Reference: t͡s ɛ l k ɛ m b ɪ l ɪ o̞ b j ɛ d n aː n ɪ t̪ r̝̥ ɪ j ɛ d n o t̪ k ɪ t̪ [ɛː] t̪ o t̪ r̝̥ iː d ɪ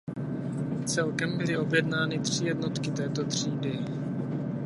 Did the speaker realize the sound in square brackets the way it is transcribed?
yes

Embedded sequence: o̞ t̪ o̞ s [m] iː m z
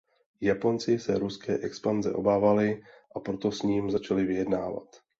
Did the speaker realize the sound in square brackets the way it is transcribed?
no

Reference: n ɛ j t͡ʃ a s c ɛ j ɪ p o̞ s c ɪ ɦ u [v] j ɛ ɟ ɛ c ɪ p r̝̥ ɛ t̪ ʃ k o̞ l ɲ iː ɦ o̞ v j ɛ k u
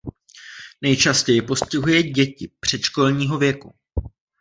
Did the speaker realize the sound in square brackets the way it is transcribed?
no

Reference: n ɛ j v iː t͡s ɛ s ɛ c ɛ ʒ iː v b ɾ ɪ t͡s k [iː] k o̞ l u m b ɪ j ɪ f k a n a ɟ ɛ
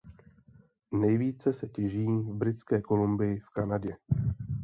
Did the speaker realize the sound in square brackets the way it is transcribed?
no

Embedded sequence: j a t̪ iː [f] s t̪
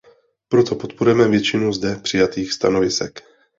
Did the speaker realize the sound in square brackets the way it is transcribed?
no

